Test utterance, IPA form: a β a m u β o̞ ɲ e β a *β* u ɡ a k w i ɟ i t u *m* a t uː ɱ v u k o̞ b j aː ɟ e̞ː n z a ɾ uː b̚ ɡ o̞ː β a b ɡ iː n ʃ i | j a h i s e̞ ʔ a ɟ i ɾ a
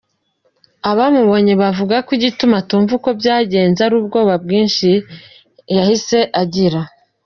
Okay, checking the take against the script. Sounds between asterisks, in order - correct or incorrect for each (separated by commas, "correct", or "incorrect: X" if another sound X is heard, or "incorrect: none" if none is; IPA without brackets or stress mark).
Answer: incorrect: v, correct